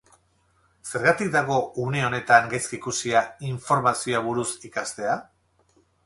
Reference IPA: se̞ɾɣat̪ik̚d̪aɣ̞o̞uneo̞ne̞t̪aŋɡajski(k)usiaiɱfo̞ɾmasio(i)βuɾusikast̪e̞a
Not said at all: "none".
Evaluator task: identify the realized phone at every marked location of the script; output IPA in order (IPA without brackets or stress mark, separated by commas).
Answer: k, a